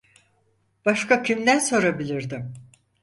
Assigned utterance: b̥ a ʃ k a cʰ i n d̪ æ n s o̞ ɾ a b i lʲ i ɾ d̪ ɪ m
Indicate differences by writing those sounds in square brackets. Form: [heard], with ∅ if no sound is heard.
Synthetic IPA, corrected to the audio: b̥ a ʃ k a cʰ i [m] d̪ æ n s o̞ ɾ a b i lʲ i ɾ d̪ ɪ m